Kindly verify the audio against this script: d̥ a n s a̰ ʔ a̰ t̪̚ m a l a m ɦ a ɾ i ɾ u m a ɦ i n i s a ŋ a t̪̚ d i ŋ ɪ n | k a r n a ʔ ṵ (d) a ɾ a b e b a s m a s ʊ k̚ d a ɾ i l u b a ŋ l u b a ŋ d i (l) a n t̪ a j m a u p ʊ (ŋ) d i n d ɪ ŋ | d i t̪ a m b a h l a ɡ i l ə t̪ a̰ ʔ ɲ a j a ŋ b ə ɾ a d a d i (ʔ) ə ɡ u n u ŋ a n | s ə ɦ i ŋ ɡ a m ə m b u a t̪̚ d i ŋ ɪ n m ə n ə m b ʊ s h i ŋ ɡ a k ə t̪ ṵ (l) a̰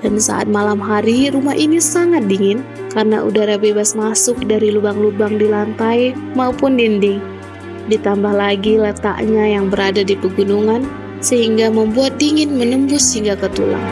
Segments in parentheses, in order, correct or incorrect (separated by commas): correct, correct, incorrect, incorrect, correct